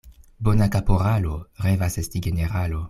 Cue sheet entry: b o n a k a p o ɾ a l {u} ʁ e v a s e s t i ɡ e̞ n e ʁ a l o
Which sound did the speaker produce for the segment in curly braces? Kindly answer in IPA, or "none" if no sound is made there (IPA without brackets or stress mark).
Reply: o